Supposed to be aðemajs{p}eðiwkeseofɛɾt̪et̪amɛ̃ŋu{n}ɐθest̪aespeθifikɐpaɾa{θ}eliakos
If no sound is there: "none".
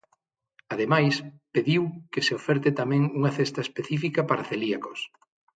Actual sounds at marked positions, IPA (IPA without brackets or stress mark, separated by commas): p, ŋ, θ